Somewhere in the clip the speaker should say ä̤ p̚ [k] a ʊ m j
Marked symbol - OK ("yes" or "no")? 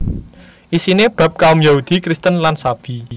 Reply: yes